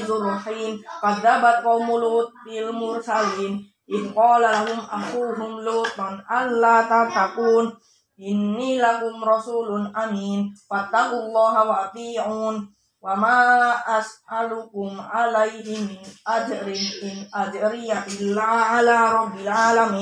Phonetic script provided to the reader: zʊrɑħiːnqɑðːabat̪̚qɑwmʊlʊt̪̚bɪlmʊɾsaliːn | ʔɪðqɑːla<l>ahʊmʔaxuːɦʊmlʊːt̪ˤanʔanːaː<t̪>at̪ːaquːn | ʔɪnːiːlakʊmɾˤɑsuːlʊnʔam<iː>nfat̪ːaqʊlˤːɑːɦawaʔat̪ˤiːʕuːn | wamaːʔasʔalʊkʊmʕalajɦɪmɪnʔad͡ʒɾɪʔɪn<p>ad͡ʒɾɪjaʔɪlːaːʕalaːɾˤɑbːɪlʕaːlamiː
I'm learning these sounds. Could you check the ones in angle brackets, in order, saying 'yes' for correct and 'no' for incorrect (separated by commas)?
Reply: yes, yes, yes, no